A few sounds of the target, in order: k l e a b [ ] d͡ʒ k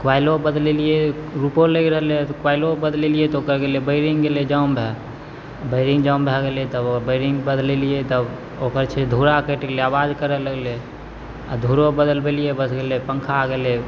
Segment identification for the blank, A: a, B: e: A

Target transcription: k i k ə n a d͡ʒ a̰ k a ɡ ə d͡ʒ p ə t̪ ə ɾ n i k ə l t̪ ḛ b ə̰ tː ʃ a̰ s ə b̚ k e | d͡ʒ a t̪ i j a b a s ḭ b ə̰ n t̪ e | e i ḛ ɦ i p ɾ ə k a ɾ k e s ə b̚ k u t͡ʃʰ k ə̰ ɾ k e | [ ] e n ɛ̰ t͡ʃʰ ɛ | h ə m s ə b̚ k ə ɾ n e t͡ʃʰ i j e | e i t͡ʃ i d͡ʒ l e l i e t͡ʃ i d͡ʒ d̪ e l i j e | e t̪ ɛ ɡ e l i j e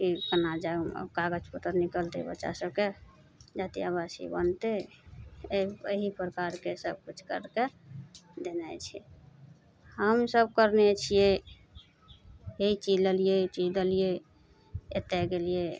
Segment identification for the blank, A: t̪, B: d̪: B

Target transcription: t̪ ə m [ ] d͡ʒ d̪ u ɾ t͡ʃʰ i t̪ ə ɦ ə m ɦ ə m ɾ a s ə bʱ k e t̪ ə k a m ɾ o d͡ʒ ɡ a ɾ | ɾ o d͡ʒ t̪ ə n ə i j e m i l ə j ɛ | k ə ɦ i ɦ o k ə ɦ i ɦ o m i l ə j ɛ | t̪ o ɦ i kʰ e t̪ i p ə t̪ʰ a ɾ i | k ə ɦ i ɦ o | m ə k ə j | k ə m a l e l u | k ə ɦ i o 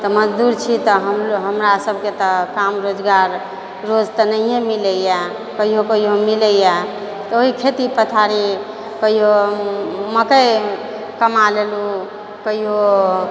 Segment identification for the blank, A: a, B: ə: B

